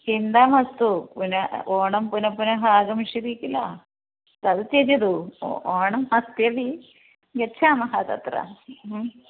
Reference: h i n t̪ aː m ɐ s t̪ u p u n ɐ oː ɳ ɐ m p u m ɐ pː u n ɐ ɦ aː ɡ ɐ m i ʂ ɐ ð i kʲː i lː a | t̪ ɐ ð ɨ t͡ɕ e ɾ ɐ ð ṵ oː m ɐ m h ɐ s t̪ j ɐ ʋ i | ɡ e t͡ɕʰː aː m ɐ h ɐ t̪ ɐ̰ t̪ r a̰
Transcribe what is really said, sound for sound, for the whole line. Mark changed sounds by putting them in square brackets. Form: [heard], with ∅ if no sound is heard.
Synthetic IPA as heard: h i n [d̪] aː m ɐ s t̪ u p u n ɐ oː ɳ ɐ m p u [n] ɐ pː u n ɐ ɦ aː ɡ ɐ m i ʂ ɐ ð i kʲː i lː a | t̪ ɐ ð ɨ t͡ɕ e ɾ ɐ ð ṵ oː [ɳ] ɐ m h ɐ s t̪ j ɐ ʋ i | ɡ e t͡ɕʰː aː m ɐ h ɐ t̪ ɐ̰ t̪ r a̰